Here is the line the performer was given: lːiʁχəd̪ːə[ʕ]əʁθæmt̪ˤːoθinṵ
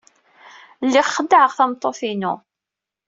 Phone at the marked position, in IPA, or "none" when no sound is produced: ʕ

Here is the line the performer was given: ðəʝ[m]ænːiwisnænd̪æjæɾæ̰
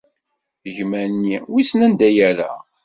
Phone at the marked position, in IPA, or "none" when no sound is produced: m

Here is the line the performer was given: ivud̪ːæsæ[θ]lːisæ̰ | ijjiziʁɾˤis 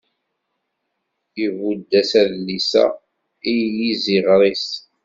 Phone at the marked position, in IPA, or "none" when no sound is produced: ð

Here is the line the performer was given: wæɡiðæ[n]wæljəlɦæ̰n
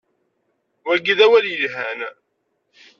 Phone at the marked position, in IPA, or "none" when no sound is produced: none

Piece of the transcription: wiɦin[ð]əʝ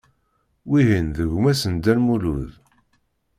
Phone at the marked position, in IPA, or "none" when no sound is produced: ð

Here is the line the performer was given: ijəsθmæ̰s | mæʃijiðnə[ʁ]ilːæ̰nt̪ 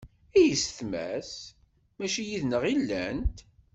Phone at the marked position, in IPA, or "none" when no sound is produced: ʁ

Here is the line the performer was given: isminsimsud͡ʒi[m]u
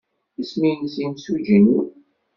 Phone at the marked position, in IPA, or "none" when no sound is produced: n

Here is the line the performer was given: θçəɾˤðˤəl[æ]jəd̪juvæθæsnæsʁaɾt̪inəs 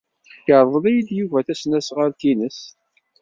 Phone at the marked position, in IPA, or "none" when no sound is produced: æ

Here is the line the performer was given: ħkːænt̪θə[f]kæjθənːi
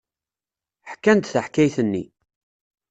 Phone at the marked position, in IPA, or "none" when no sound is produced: ħ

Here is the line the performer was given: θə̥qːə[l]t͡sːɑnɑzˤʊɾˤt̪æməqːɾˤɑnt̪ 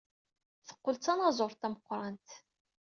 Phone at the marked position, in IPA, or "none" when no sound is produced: l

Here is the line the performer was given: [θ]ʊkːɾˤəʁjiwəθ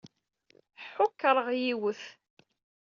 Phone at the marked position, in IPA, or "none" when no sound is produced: ħ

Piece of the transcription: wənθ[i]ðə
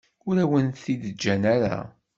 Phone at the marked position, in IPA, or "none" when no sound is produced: i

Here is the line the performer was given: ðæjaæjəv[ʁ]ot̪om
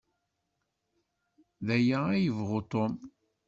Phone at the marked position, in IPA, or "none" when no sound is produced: ʁ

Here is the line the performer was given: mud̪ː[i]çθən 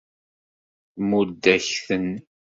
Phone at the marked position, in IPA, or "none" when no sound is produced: æ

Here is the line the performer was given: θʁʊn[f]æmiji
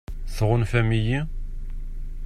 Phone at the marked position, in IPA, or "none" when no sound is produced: f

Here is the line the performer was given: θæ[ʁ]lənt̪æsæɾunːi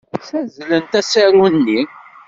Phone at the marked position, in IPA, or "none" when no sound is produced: z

